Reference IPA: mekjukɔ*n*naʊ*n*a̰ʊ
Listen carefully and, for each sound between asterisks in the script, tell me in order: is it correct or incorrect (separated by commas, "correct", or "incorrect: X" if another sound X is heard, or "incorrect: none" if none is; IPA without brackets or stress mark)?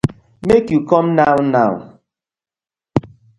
incorrect: m, correct